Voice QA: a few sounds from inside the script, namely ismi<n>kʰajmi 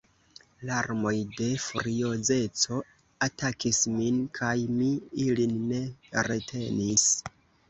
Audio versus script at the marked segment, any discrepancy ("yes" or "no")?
no